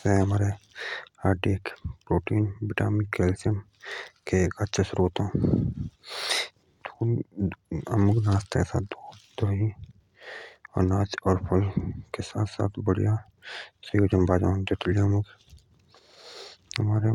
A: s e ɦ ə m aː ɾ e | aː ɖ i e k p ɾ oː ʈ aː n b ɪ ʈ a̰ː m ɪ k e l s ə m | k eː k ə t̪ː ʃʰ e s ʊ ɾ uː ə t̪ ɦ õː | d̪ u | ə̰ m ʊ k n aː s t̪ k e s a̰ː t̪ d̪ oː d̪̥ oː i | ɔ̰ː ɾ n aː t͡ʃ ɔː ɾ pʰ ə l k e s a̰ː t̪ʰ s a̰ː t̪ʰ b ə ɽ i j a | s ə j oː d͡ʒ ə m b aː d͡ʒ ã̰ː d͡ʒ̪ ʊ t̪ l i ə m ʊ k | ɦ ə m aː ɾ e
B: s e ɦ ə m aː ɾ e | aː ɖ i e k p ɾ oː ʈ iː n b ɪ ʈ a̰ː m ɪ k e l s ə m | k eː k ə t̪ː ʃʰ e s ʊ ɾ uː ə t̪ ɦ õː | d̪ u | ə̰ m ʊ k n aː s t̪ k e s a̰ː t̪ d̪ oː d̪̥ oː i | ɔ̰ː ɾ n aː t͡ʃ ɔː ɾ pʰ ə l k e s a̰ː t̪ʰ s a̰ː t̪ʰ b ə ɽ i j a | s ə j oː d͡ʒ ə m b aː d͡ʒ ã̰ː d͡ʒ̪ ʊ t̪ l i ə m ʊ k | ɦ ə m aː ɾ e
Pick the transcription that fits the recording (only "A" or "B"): B